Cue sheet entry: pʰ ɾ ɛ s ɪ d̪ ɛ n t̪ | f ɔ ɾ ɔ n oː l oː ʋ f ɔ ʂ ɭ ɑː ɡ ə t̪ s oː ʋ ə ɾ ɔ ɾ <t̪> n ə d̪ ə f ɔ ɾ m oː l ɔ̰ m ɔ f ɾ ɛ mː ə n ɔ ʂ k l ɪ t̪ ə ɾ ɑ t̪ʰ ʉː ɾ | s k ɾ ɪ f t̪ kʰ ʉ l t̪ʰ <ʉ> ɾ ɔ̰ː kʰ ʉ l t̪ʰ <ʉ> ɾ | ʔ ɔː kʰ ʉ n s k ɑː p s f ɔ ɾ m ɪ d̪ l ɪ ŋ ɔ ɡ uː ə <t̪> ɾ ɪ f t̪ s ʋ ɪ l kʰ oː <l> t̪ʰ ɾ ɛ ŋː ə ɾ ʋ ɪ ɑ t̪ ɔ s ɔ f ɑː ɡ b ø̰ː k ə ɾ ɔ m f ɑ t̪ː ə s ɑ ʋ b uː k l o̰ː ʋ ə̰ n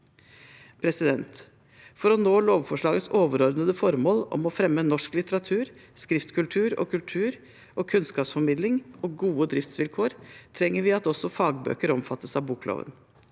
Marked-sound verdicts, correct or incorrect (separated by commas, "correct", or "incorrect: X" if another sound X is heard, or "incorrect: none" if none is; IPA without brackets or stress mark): incorrect: d̪, incorrect: ʉː, incorrect: ʉː, incorrect: d̪, incorrect: ɾ